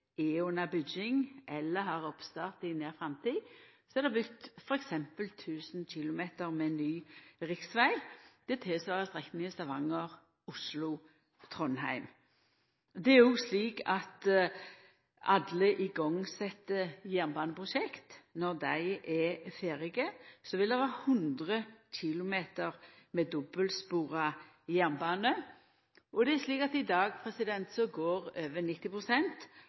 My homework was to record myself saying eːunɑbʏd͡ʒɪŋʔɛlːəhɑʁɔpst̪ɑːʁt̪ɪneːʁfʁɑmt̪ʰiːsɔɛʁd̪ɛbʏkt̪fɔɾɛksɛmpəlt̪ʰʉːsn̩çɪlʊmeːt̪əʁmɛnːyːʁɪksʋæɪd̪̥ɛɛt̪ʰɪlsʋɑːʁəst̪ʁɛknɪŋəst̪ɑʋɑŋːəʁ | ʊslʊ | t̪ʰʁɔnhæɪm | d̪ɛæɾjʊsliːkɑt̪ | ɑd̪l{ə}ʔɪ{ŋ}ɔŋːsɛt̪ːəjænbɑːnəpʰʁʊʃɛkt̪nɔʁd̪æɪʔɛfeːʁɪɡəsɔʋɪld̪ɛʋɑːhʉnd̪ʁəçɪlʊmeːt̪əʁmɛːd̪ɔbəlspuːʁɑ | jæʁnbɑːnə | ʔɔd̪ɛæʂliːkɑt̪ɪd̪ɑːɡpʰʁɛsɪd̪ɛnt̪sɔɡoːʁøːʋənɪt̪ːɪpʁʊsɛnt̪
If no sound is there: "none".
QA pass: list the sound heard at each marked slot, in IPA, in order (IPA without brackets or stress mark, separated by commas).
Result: ə, ɡ